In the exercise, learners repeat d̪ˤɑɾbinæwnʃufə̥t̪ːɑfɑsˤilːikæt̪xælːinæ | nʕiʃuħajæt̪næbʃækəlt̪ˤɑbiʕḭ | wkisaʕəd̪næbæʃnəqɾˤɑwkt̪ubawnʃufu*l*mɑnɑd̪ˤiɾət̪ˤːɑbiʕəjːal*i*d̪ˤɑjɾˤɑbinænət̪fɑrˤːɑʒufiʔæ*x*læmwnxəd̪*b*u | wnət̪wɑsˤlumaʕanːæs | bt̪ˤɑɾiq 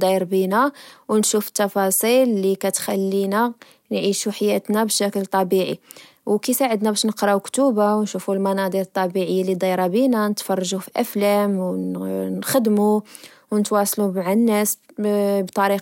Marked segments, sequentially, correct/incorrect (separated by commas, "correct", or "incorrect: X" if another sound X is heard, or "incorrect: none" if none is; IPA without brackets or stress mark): correct, correct, incorrect: f, incorrect: m